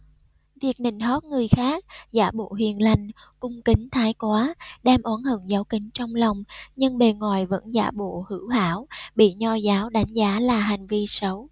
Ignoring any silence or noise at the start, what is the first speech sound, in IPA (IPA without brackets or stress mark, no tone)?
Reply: v